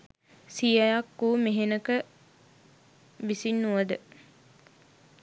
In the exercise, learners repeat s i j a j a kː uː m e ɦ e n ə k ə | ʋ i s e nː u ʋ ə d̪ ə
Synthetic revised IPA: s i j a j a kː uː m e ɦ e n ə k ə | ʋ i s i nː u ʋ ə d̪ ə